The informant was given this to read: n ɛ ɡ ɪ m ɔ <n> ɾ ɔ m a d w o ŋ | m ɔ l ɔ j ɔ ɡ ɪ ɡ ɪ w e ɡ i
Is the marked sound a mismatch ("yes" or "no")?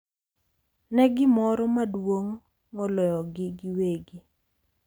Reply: yes